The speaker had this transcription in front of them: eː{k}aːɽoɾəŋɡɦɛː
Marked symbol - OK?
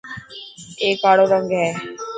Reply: yes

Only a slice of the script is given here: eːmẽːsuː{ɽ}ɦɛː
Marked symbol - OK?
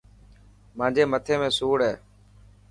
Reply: yes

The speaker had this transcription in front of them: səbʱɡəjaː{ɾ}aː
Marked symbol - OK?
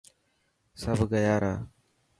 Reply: yes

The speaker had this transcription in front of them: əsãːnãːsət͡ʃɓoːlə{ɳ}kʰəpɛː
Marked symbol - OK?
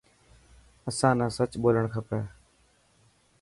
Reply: yes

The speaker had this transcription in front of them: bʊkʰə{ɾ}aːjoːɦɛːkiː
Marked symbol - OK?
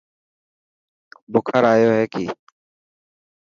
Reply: yes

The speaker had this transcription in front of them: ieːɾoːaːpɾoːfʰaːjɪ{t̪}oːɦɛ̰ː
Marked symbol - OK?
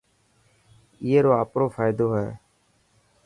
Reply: no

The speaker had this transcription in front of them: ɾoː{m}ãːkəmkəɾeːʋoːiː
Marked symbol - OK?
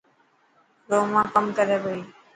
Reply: yes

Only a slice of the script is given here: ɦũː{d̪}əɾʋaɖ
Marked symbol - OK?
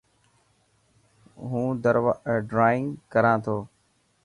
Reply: yes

